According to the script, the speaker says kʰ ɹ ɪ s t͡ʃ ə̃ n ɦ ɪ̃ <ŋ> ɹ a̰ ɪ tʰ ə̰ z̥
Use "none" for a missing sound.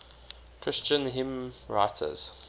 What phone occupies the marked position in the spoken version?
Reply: m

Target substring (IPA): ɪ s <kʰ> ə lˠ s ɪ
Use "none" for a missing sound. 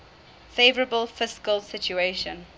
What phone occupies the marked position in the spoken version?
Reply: k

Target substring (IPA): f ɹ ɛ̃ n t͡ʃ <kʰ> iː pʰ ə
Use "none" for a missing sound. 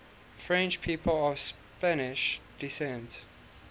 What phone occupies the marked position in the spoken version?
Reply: pʰ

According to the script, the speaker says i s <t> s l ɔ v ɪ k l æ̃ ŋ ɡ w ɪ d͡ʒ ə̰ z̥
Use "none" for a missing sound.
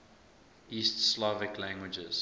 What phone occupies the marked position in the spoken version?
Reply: t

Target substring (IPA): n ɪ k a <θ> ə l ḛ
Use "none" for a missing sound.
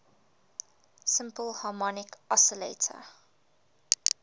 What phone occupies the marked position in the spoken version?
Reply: s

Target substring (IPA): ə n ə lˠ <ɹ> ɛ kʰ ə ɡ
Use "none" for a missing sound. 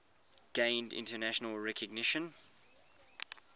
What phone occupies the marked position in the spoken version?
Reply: ɹ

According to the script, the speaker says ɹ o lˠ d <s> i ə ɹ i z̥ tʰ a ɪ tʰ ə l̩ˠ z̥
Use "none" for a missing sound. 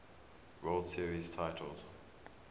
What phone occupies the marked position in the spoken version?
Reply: s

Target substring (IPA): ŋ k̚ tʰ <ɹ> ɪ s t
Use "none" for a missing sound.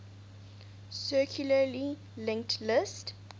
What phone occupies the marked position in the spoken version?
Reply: l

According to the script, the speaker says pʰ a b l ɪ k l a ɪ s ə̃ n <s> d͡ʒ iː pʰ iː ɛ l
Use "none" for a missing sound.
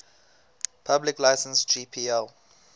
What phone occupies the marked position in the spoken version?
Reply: s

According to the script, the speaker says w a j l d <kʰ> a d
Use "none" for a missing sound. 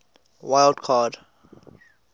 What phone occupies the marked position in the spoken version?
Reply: kʰ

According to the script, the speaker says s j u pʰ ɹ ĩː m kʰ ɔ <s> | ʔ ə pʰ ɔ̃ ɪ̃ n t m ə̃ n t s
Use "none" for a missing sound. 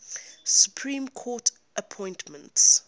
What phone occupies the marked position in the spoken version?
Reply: t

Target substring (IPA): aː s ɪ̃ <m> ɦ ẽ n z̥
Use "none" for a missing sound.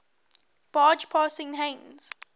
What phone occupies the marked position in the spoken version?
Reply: ŋ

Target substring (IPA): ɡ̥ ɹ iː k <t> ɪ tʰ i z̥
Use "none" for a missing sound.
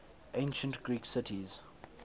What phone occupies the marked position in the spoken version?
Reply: s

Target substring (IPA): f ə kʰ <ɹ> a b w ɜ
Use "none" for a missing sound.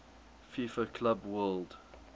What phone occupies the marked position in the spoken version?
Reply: l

